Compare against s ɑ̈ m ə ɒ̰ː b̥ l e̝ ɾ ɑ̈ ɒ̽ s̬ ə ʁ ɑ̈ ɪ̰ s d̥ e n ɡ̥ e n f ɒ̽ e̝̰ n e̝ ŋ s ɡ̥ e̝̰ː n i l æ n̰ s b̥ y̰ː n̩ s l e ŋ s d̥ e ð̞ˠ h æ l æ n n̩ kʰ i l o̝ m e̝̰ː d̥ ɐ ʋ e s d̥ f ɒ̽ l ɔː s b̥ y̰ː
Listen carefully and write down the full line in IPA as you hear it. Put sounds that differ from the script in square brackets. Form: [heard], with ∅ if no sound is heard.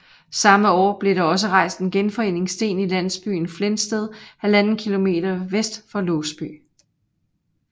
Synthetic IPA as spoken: s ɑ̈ m ə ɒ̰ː b̥ l e̝ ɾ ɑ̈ ɒ̽ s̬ ə ʁ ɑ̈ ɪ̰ s d̥ e n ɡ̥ e n f ɒ̽ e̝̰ n e̝ ŋ s [d̥] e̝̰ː n i l æ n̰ s b̥ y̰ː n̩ [f] l e [n] s d̥ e ð̞ˠ h æ l æ n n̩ kʰ i l o̝ m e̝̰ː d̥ ɐ ʋ e s d̥ f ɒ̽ l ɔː s b̥ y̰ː